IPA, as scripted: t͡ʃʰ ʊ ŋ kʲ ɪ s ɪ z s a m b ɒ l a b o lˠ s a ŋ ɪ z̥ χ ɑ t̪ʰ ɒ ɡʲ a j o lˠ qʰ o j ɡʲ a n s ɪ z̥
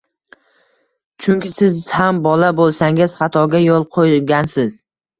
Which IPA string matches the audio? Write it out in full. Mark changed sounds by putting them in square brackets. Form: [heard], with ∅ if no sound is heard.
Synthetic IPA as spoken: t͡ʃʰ ʊ ŋ kʲ ɪ s ɪ z [h] a m b ɒ l a b o lˠ s a ŋ ɪ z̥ χ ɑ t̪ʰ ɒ ɡʲ a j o lˠ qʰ o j ɡʲ a n s ɪ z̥